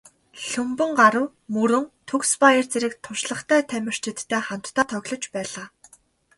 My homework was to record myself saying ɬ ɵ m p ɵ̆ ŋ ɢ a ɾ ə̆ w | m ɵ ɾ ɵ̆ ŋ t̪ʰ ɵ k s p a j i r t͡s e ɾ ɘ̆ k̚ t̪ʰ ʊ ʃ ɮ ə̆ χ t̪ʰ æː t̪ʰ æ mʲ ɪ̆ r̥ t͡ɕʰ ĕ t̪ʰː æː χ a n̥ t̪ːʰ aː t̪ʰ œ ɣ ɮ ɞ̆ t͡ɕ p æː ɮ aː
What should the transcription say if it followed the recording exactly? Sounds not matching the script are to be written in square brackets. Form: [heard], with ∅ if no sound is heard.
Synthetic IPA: ɬ ɵ m p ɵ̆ ŋ ɢ a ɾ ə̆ w | m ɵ ɾ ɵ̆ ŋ t̪ʰ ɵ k s p a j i r t͡s e ɾ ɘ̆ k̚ t̪ʰ ʊ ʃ ɮ ə̆ χ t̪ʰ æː t̪ʰ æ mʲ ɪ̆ r̥ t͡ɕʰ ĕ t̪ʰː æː χ a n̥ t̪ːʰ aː t̪ʰ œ ɣ ɮ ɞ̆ t͡ɕ p æː ɮ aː